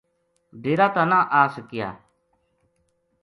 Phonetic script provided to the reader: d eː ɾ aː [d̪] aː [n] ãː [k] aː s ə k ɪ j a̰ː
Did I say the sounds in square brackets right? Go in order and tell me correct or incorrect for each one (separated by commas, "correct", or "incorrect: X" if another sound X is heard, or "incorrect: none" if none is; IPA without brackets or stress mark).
incorrect: t̪, correct, incorrect: ʔ